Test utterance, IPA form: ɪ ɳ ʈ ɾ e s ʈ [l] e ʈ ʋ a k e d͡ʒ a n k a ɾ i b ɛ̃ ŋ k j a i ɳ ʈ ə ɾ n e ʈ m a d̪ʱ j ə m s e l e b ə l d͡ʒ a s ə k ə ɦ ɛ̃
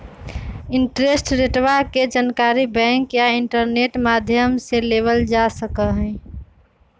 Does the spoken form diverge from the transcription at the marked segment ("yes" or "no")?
yes